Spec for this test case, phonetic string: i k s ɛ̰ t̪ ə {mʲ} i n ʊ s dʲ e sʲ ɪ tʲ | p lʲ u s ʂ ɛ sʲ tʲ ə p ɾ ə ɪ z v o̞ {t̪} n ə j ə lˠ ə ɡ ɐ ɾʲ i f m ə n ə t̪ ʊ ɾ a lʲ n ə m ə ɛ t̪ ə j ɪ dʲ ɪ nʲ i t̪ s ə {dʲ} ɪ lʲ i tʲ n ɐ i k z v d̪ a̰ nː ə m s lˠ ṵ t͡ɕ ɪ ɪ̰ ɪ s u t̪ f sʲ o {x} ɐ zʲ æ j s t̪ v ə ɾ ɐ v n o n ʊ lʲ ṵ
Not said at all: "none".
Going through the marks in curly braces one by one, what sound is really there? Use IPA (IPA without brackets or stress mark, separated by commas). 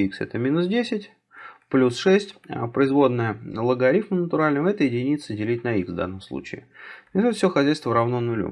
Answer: mʲ, d̪, dʲ, x